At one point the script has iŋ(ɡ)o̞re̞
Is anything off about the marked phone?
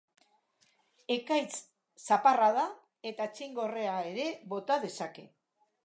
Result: no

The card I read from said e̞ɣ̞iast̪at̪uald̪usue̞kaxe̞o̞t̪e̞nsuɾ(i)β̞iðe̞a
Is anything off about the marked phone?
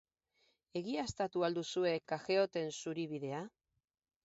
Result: no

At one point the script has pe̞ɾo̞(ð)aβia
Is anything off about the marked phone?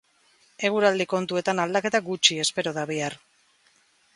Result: no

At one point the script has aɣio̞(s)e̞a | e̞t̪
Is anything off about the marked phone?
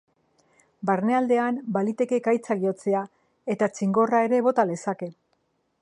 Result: yes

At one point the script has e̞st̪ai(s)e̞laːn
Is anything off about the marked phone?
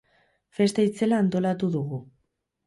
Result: yes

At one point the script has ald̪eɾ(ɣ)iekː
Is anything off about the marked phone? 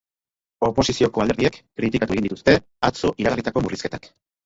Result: yes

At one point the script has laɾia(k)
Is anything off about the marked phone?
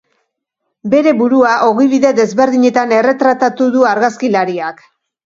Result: no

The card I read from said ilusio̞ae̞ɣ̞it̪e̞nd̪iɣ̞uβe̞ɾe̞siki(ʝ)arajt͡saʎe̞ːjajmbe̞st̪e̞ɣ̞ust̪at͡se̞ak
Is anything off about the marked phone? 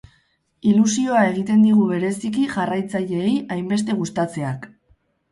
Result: no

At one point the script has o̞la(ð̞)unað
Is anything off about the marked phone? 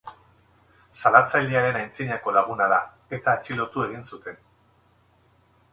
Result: yes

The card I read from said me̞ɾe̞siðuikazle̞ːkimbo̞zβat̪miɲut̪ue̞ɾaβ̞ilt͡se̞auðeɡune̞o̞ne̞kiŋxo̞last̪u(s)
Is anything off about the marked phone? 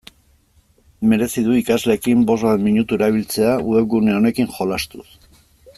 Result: no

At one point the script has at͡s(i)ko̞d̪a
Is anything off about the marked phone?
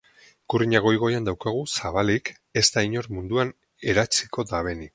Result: no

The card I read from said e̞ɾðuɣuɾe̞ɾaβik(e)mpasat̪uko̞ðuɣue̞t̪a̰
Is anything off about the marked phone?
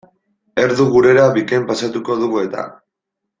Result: no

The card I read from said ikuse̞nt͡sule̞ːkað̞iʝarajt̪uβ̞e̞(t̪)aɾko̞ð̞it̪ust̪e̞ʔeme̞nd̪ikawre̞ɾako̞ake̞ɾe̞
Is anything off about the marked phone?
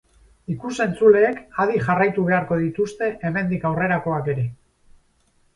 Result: yes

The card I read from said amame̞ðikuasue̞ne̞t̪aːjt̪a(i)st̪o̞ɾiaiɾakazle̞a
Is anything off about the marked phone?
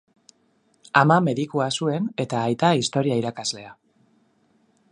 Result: no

